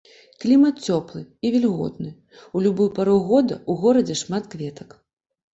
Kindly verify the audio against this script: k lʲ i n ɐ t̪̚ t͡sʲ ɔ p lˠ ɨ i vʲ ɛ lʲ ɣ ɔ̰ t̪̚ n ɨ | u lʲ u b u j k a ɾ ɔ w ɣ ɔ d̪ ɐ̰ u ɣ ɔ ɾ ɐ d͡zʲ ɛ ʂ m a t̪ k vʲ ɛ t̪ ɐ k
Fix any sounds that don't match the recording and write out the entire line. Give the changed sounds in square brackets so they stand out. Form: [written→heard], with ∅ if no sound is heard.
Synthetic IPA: k lʲ i [n→m] ɐ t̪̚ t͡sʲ ɔ p lˠ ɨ i vʲ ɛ lʲ ɣ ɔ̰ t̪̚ n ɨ | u lʲ u b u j [k→p] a ɾ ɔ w ɣ ɔ d̪ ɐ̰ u ɣ ɔ ɾ ɐ d͡zʲ ɛ ʂ m a t̪ k vʲ ɛ t̪ ɐ k